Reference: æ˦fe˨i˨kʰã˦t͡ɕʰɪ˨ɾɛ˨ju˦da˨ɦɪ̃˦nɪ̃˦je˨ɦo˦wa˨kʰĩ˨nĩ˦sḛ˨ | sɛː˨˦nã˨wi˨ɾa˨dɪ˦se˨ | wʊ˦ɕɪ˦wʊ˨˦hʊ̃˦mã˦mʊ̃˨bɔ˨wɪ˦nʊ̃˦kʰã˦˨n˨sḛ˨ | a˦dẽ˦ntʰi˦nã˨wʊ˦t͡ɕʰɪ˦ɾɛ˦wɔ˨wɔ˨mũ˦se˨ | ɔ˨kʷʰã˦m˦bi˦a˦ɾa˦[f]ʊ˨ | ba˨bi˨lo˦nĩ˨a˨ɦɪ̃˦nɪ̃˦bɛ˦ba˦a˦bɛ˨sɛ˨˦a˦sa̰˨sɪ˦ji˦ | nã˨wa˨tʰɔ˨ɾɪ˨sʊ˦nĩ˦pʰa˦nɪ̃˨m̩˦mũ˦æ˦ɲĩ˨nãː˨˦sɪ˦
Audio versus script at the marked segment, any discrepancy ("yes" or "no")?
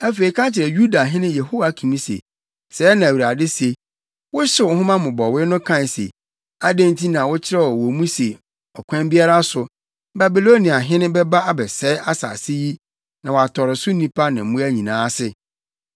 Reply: yes